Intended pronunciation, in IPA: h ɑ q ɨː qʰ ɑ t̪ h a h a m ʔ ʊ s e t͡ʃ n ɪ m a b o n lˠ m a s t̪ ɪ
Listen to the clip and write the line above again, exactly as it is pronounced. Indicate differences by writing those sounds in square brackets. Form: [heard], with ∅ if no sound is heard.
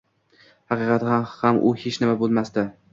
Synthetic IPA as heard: h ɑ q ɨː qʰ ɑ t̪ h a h a m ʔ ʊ [h] e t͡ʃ n ɪ m a b o [∅] lˠ m a s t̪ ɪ